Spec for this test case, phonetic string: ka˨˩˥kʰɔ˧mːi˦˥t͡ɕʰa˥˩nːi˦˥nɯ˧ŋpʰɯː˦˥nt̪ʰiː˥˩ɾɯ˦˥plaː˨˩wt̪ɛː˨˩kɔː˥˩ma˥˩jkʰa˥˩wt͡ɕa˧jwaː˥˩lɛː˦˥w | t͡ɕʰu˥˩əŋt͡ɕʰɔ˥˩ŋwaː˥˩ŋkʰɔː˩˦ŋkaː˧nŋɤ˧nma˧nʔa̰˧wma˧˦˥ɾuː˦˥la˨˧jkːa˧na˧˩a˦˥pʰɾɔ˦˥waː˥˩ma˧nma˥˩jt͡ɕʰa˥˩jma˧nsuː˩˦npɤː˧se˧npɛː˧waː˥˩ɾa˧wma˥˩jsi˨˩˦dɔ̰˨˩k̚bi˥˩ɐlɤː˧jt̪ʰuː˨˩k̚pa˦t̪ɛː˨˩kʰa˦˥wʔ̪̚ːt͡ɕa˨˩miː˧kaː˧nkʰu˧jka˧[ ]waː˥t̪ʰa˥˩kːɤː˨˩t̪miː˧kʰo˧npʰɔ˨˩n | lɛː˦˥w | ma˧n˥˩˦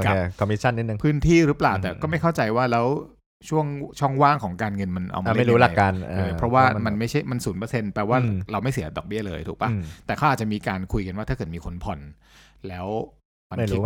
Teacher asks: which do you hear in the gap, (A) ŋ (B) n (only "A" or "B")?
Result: B